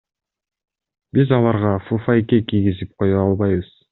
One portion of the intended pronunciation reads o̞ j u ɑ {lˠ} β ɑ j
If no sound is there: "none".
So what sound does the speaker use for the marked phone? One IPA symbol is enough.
lˠ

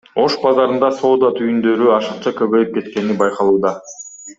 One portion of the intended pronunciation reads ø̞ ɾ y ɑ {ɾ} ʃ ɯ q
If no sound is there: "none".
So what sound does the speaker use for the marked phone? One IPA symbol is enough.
none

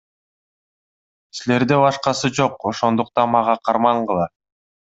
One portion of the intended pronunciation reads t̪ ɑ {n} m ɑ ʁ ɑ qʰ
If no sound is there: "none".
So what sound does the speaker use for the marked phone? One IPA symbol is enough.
n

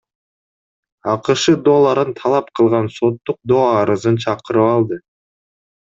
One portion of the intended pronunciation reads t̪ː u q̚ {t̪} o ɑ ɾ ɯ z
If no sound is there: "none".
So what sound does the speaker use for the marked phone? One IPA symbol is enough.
d̪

